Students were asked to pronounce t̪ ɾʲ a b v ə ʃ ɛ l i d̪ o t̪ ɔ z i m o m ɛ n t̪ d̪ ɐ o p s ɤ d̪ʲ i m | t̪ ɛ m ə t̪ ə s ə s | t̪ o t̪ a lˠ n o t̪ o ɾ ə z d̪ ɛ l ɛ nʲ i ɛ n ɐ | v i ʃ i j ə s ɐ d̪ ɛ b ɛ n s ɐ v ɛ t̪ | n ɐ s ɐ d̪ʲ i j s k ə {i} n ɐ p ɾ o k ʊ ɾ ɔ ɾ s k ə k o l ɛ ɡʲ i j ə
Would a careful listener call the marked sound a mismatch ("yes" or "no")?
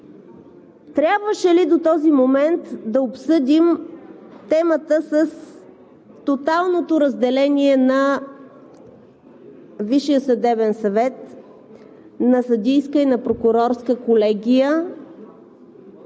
no